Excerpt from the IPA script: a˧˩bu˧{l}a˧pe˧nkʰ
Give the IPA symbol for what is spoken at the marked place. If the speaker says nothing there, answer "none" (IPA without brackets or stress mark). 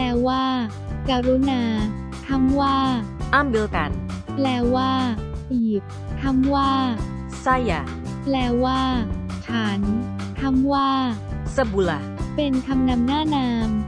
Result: l